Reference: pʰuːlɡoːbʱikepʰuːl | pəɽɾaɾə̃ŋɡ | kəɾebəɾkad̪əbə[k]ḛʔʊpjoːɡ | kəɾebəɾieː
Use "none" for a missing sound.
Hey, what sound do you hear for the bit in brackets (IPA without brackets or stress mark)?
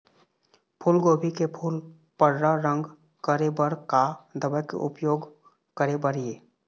k